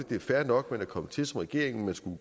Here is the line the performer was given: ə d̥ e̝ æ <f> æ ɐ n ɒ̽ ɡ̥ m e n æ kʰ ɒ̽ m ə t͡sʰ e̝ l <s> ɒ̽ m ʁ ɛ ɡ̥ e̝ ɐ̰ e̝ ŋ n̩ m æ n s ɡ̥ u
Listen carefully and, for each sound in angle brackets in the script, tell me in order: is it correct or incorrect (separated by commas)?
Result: correct, correct